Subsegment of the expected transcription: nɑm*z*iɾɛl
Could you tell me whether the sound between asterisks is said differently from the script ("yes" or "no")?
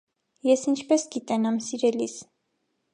yes